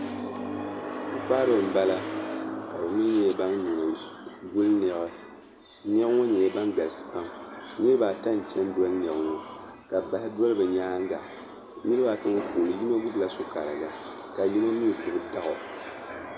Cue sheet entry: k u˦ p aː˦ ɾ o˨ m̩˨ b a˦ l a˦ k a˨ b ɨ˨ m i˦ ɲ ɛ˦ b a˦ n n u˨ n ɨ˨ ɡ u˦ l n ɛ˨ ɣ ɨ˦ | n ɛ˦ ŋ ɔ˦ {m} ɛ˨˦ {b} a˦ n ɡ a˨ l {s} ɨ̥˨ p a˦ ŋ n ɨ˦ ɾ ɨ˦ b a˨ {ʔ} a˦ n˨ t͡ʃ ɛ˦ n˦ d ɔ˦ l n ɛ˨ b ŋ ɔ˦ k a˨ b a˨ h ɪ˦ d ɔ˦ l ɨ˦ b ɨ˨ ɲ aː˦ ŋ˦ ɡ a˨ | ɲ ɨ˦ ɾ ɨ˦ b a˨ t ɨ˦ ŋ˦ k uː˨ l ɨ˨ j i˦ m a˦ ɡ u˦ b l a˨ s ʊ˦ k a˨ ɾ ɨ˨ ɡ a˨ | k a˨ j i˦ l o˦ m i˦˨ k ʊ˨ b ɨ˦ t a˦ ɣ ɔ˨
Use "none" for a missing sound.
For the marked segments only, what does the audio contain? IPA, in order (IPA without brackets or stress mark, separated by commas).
ɲ, b, s, t